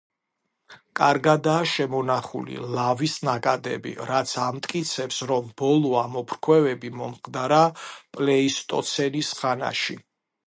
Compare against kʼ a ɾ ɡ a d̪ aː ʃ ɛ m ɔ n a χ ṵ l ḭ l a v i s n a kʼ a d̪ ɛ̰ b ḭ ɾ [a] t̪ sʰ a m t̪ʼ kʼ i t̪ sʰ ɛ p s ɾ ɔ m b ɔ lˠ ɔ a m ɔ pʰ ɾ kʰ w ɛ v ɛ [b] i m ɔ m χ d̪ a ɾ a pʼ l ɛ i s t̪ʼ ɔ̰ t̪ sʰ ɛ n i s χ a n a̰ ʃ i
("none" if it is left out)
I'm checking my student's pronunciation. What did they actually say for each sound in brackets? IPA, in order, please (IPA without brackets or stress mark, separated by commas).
a, b